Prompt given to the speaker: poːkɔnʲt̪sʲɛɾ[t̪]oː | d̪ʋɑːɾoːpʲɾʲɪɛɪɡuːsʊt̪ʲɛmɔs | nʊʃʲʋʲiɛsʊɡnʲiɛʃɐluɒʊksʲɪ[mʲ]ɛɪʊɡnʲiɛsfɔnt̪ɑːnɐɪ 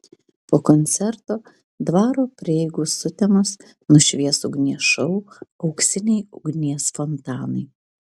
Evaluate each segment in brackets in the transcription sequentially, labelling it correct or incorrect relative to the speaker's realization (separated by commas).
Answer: correct, incorrect